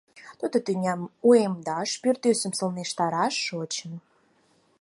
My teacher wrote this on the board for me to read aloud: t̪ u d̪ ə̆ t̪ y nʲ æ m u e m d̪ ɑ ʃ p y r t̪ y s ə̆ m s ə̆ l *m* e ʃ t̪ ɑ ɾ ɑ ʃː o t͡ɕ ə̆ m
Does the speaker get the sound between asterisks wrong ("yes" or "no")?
yes